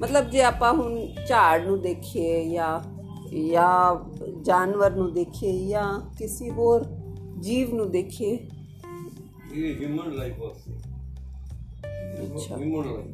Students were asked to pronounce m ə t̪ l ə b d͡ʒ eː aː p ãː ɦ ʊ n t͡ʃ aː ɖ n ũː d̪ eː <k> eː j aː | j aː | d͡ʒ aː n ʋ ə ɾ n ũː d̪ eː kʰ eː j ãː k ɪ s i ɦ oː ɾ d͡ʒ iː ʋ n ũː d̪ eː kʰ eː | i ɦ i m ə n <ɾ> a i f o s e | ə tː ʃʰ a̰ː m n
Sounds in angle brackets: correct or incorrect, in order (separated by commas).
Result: incorrect, incorrect